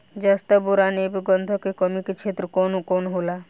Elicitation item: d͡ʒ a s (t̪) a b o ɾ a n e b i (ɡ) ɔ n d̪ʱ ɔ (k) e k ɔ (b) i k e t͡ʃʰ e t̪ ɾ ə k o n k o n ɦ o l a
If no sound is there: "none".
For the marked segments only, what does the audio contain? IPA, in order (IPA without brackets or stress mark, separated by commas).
t̪, ɡ, k, m